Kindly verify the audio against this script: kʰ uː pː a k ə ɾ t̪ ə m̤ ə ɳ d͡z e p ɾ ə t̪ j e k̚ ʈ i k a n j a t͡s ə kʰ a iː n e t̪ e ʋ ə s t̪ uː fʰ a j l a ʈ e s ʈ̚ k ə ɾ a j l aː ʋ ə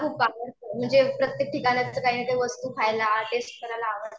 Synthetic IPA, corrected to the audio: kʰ uː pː a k ə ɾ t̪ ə m̤ ə ɳ d͡z e p ɾ ə t̪ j e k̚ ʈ i k a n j a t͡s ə k a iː n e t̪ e ʋ ə s t̪ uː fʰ a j l a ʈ e s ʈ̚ k ə ɾ a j l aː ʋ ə